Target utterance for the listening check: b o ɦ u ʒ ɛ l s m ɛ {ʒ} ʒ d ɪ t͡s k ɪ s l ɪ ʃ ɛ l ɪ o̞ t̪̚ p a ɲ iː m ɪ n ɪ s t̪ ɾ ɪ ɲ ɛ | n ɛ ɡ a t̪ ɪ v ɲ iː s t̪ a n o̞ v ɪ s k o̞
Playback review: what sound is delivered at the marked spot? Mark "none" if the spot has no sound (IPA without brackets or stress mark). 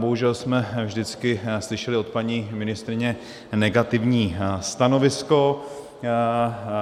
v